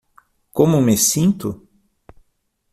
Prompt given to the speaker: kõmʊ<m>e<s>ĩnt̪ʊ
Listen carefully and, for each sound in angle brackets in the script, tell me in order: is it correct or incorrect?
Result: correct, correct

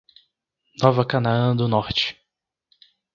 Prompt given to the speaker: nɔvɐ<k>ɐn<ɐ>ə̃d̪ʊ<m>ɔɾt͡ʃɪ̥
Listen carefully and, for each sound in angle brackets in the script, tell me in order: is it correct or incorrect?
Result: correct, incorrect, incorrect

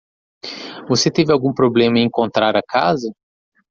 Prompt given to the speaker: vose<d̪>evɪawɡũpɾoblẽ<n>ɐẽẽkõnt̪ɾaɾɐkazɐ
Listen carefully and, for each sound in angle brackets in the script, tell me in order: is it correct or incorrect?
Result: incorrect, incorrect

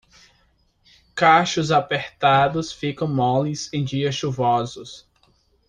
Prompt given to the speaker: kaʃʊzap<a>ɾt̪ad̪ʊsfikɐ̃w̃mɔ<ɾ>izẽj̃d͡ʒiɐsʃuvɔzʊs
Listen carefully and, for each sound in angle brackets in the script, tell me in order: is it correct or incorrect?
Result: incorrect, incorrect

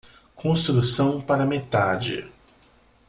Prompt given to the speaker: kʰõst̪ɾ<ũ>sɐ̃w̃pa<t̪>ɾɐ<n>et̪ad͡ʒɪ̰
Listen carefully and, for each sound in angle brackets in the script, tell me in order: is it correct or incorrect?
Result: incorrect, incorrect, incorrect

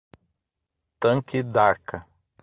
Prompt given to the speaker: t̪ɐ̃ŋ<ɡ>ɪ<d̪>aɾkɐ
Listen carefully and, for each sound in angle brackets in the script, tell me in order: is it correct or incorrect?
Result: incorrect, correct

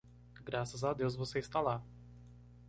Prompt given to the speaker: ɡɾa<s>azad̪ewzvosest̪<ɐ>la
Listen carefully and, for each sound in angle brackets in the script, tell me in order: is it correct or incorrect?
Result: correct, incorrect

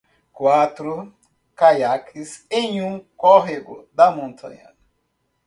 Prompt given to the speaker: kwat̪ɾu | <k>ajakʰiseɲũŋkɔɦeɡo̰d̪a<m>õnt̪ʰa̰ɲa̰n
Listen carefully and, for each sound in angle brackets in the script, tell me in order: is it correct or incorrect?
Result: correct, correct

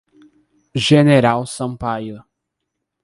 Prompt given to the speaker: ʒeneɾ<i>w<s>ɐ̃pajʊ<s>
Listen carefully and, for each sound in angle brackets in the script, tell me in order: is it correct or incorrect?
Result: incorrect, correct, incorrect

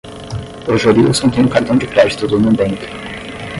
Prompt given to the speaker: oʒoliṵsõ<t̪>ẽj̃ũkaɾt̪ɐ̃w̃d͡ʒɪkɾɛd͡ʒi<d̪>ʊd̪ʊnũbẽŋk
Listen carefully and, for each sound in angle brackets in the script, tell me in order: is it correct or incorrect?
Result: correct, incorrect

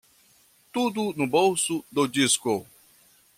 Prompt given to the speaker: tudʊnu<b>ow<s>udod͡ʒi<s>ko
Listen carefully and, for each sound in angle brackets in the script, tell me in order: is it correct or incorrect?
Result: correct, correct, correct

